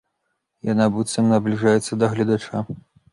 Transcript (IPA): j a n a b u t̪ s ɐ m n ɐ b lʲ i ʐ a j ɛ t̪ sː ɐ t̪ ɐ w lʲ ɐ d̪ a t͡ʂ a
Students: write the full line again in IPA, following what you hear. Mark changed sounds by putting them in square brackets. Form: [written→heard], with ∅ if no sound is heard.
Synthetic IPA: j a n a b u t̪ s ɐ m n ɐ b lʲ i ʐ a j ɛ t̪ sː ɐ [t̪→d̪] ɐ [w→ɣ] lʲ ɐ d̪ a t͡ʂ a